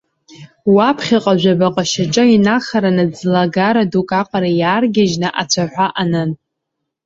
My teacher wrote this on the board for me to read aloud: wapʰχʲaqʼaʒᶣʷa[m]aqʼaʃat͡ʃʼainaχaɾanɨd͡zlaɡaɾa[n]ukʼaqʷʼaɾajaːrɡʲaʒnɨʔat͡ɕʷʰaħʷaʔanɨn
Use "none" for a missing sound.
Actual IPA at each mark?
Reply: b, d

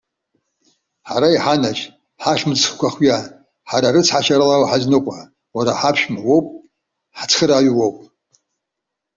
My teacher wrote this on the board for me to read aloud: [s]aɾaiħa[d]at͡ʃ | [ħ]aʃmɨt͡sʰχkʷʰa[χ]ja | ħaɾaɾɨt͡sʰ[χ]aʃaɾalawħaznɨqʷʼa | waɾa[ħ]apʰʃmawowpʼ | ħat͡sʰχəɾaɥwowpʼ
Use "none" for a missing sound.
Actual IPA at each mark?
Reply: ħ, n, ħ, χ, ħ, ħ

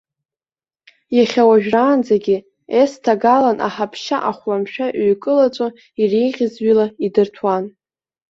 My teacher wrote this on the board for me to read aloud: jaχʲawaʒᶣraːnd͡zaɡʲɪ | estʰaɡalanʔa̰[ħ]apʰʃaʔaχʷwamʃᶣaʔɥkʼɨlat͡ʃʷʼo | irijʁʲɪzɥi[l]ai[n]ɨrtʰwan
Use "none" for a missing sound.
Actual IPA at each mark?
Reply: ħ, l, d

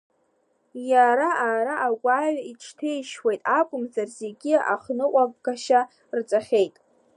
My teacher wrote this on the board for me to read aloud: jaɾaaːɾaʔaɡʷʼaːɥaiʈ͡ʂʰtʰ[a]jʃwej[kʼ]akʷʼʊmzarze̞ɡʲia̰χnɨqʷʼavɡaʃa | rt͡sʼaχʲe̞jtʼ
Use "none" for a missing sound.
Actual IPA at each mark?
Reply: e, tʼ

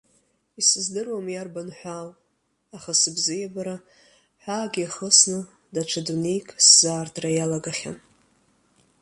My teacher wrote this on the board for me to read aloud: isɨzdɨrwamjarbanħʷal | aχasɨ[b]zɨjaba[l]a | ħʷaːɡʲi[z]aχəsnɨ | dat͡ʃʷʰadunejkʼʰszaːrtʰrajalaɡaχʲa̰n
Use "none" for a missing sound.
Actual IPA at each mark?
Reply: b, ɾ, none

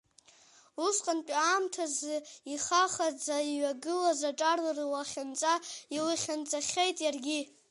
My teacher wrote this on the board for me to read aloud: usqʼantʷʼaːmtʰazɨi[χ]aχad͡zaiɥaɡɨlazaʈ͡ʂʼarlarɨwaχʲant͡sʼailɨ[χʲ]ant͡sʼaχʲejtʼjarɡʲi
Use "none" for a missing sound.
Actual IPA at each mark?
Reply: χ, χʲ

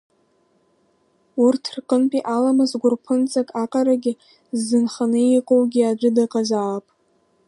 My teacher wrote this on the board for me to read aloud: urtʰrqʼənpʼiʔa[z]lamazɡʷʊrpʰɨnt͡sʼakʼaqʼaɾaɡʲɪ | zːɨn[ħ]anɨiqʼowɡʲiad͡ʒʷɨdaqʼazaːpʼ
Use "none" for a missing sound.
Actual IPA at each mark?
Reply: none, χ

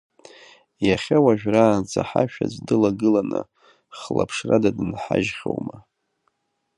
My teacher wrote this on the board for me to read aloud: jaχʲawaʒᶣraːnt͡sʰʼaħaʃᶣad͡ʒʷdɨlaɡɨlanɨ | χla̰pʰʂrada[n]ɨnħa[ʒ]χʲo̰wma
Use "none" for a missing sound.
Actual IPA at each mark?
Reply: d, ʒ

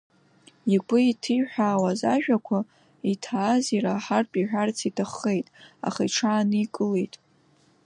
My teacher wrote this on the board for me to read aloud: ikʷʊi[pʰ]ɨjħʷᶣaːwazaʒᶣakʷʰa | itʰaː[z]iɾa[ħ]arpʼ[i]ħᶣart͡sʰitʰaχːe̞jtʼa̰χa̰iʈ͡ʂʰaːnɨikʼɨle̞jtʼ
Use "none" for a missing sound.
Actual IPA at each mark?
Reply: tʰ, z, ħ, i

